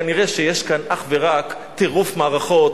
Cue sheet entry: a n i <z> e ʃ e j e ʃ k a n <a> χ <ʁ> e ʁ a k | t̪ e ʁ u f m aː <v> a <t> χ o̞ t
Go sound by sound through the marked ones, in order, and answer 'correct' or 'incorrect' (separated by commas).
incorrect, correct, incorrect, incorrect, incorrect